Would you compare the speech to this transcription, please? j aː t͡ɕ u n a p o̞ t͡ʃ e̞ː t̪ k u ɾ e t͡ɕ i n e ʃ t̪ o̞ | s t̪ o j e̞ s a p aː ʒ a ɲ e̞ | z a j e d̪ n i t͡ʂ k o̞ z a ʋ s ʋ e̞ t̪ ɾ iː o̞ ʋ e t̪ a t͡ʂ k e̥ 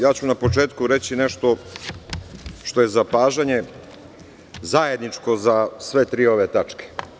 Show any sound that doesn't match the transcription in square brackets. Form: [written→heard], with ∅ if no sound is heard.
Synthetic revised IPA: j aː t͡ɕ u n a p o̞ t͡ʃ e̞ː t̪ k u ɾ e t͡ɕ i n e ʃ t̪ o̞ | [s→ʃ] t̪ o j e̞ [s→z] a p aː ʒ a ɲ e̞ | z a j e d̪ n i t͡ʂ k o̞ z a [ʋ→∅] s ʋ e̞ t̪ ɾ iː o̞ ʋ e t̪ a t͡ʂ k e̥